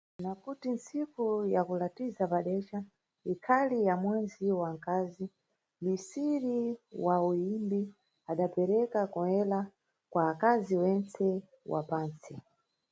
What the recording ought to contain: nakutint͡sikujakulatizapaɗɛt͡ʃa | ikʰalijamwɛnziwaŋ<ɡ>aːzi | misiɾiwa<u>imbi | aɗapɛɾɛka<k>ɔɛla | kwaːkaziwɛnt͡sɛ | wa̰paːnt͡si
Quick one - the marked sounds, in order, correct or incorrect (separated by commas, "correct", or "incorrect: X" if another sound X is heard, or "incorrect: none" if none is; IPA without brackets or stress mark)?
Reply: incorrect: k, correct, correct